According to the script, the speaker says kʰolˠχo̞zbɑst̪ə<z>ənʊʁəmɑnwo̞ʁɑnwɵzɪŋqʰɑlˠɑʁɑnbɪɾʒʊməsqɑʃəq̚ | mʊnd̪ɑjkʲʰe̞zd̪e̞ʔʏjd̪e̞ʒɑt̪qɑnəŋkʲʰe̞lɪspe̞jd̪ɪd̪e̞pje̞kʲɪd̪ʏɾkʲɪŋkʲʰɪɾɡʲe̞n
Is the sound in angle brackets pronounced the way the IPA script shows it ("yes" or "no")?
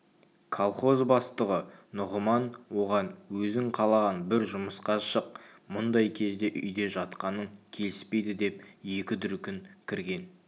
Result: no